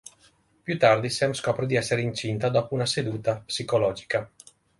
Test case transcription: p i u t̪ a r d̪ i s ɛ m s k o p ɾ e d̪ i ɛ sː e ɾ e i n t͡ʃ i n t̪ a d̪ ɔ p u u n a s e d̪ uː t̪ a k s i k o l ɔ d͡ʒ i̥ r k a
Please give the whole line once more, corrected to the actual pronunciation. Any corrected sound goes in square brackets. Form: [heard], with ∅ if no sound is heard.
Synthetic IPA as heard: p [j] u t̪ a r d̪ i s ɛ m s k [ɔ] p ɾ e d̪ i ɛ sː e ɾ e i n t͡ʃ i n t̪ a d̪ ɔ p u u n a s e d̪ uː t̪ a [p] s i k o l ɔ d͡ʒ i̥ [∅] k a